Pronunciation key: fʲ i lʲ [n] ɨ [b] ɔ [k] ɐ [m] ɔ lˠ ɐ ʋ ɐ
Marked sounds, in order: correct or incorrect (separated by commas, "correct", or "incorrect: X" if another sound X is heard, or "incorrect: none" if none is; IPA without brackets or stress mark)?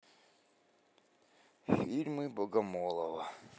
incorrect: m, correct, incorrect: ɡ, correct